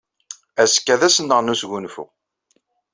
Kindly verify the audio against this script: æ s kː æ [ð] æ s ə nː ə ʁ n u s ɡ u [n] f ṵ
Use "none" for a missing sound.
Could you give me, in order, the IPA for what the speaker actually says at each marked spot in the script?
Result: ð, n

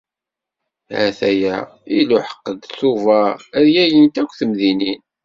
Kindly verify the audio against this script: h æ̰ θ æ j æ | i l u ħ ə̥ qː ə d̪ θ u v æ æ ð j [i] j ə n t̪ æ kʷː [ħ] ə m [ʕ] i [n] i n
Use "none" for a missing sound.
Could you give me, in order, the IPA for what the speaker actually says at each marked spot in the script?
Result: æ, θ, ð, n

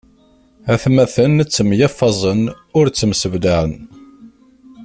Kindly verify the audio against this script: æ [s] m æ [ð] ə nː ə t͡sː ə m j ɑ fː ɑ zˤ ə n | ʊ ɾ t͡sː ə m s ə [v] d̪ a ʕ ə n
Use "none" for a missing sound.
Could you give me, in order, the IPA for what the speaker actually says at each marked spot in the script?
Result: θ, θ, v

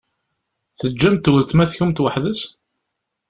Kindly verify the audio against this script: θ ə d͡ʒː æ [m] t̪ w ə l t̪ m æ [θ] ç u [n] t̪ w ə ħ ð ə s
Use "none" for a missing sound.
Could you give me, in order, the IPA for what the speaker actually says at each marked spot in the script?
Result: m, θ, m

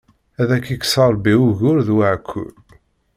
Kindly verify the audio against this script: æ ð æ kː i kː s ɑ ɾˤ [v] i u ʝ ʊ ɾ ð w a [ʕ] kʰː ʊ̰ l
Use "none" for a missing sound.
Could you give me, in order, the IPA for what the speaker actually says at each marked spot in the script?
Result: b, ʕ

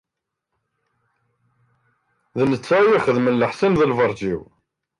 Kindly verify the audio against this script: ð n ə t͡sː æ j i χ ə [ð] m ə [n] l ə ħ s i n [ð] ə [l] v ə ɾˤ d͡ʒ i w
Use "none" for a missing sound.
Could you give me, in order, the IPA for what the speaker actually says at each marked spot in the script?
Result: ð, n, ð, l

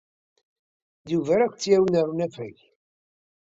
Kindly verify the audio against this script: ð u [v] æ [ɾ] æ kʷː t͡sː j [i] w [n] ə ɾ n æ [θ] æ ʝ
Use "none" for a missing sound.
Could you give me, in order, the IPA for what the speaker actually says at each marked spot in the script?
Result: v, ɾ, æ, n, f

